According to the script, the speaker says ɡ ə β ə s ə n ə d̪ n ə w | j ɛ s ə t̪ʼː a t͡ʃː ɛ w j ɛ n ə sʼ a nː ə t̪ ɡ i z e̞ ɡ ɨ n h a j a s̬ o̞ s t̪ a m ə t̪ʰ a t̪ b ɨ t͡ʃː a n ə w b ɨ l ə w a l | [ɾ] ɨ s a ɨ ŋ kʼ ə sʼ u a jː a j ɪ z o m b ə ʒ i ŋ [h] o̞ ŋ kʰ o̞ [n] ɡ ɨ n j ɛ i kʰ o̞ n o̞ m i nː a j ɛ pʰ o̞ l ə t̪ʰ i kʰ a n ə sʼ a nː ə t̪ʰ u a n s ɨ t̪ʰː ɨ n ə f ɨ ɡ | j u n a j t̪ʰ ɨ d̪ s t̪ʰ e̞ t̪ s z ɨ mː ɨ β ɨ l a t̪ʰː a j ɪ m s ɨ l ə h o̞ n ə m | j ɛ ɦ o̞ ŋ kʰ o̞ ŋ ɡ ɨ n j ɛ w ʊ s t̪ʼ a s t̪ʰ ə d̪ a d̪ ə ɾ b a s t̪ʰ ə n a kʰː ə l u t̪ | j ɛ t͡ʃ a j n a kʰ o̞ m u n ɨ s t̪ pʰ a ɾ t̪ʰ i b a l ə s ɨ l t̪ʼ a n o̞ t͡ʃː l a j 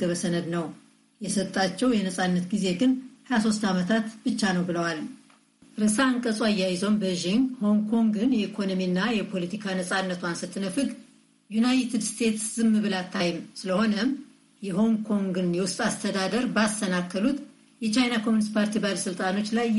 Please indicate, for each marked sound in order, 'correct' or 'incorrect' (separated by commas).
correct, correct, incorrect